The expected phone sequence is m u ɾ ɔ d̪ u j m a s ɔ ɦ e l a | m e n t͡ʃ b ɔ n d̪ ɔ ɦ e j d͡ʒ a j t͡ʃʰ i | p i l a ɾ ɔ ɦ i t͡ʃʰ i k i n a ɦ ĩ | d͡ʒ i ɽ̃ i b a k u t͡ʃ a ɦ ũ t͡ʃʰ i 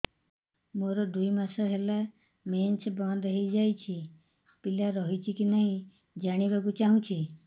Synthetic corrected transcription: m o ɾ ɔ d̪ u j m a s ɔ ɦ e l a | m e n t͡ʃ b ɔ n d̪ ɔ ɦ e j d͡ʒ a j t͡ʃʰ i | p i l a ɾ ɔ ɦ i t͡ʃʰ i k i n a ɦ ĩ | d͡ʒ a ɽ̃ i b a k u t͡ʃ a ɦ ũ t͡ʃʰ i